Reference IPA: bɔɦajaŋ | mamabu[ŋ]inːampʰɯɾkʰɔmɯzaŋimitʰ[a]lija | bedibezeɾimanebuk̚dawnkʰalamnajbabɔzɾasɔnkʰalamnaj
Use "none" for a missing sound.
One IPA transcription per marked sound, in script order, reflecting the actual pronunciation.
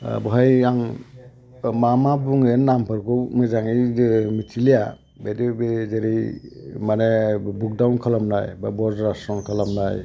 ŋ, i

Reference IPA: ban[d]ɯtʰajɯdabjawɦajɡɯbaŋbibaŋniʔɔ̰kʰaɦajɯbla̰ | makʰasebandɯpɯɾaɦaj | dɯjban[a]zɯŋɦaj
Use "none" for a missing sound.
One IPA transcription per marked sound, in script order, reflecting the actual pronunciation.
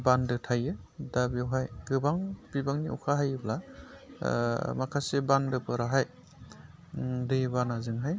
d, a

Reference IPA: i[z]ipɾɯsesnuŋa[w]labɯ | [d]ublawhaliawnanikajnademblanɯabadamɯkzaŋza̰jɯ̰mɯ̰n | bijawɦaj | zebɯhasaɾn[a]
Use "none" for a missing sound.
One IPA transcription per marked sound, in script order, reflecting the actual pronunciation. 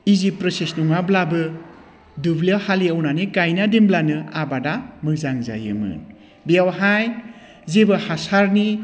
z, b, d, i

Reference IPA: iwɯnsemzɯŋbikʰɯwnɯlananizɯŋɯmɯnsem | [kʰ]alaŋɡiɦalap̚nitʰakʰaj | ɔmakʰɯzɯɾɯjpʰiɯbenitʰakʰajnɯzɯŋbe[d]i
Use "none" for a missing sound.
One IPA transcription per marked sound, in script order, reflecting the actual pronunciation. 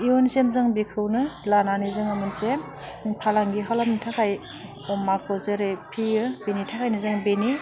pʰ, n

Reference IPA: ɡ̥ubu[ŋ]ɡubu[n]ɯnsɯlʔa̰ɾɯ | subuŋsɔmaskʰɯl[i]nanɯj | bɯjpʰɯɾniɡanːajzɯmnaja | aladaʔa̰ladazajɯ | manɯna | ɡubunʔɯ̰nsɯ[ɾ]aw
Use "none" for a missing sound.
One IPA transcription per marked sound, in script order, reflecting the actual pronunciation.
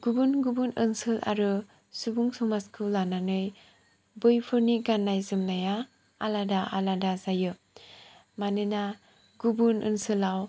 n, n, a, l

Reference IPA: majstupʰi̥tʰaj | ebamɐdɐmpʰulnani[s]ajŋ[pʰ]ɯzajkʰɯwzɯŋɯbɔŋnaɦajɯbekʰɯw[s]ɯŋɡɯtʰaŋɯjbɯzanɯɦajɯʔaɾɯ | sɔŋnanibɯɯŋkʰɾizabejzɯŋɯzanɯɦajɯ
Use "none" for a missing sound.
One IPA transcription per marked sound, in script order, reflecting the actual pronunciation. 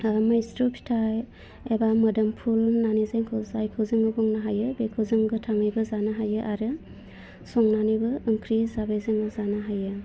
z, kʰ, z

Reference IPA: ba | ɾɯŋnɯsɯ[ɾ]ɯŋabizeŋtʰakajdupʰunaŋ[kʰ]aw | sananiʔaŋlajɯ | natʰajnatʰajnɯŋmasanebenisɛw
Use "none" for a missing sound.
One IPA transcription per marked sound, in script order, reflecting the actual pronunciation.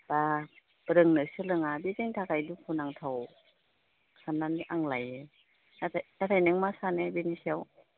l, tʰ

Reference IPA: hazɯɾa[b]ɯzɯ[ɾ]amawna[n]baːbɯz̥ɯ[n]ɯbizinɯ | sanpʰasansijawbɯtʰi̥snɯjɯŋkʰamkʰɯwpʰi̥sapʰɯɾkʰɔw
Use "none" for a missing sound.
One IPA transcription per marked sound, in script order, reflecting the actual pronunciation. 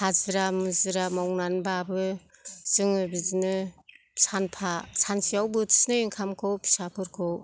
m, ɾ, n, ŋ

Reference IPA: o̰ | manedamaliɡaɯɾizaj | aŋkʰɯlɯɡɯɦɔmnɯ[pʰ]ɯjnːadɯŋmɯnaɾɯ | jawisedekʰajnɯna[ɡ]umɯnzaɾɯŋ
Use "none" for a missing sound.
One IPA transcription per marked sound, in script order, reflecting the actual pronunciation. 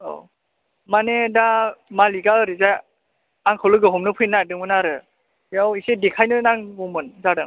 pʰ, ŋ

